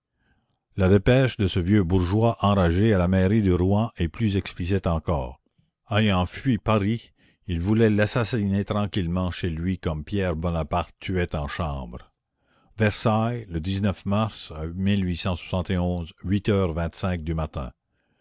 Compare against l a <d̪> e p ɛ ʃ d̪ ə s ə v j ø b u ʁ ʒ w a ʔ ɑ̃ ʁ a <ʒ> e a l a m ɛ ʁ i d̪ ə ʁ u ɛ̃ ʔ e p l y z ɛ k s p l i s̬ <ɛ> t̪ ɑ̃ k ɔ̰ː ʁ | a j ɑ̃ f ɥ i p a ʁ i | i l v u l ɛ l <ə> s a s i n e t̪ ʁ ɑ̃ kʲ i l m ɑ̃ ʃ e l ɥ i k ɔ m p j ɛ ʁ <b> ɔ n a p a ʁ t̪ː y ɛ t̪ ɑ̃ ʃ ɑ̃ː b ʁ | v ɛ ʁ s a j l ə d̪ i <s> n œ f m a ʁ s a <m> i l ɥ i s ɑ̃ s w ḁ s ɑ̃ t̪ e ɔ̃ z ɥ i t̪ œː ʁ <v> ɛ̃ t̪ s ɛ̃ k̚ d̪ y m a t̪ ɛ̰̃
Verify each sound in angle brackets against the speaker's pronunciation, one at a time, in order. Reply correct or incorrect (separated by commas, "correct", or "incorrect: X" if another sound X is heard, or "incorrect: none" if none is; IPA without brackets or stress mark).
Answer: correct, correct, incorrect: i, incorrect: a, correct, incorrect: z, correct, correct